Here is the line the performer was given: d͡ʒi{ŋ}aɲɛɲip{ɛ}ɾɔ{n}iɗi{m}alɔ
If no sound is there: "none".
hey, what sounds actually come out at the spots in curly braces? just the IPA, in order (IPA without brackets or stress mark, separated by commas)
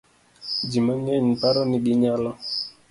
m, a, n, ɲ